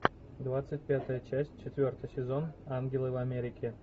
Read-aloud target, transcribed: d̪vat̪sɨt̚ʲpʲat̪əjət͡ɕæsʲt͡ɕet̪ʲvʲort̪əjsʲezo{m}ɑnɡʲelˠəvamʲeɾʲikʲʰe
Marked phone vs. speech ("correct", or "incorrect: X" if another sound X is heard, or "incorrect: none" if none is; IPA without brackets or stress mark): incorrect: n